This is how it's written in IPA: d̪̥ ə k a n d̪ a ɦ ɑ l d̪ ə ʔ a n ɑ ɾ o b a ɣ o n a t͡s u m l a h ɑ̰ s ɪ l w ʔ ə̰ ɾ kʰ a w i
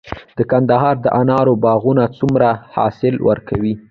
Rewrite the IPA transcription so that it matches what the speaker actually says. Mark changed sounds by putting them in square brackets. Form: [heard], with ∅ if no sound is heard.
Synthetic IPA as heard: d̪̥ ə k a n d̪ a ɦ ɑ [ɾ] d̪ ə ʔ a n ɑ ɾ o b [ɑ] ɣ [u] n a t͡s u m [ɾ] a h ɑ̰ s ɪ l w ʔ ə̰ ɾ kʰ a w i